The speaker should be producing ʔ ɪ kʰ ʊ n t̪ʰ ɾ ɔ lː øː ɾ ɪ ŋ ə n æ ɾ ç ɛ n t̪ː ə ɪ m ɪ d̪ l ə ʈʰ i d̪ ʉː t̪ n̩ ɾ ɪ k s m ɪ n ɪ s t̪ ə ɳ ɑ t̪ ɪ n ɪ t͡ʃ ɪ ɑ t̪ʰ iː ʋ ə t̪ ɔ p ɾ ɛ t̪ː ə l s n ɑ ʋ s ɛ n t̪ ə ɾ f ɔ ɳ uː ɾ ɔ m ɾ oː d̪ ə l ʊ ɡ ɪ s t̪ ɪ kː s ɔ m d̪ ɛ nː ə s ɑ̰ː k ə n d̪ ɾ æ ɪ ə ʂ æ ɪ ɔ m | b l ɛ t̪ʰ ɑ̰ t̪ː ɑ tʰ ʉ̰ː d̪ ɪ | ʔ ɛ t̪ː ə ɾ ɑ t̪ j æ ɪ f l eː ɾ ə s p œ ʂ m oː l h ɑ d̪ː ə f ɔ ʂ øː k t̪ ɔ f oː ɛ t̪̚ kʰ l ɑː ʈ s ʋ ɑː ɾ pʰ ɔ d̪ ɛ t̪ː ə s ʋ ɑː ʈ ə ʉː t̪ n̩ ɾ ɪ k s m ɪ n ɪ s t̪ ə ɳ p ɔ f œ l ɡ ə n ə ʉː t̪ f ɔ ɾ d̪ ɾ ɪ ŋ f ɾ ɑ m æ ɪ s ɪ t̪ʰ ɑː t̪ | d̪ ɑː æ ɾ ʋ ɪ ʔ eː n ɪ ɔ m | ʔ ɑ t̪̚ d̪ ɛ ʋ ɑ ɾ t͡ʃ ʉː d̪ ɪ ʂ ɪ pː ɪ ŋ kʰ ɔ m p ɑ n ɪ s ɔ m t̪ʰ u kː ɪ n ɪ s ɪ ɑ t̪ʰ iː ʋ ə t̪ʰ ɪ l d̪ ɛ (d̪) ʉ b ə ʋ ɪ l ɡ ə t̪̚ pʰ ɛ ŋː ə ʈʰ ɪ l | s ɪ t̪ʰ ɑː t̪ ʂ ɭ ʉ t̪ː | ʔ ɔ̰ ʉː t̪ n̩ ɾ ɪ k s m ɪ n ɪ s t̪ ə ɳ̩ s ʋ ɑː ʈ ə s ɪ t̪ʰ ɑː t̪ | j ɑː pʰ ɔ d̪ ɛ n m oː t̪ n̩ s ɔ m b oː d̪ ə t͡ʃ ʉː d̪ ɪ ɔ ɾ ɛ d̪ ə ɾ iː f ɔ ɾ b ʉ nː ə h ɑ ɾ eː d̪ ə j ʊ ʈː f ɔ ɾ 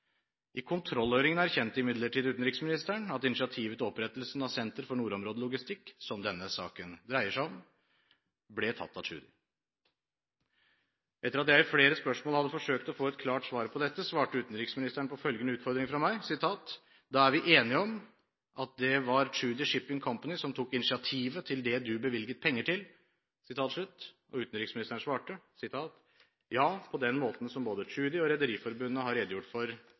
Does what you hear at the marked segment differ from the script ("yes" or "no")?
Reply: no